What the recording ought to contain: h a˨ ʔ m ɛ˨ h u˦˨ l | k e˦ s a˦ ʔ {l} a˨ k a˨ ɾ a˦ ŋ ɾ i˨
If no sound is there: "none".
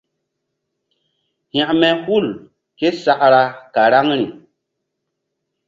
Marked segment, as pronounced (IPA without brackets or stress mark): ɾ